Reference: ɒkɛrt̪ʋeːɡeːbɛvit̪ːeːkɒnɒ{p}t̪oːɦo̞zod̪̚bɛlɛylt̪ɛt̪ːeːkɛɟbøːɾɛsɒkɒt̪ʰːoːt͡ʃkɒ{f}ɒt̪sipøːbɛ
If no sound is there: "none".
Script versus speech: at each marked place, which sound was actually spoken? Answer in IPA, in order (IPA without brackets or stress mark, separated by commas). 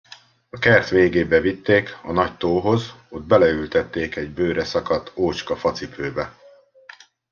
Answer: c, f